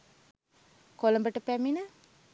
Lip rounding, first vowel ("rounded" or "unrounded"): rounded